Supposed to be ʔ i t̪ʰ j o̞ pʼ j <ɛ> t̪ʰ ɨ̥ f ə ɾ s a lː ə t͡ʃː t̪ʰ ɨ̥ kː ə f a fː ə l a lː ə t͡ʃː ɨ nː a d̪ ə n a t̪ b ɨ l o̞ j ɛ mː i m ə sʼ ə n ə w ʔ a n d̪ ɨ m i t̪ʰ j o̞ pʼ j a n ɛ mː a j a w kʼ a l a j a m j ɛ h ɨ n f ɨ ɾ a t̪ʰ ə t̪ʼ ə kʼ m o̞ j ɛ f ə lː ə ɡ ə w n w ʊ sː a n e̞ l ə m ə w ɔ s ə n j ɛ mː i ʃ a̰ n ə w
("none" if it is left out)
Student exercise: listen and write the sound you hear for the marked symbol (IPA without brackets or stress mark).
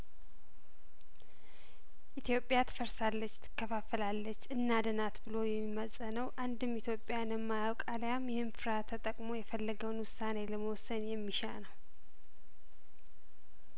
a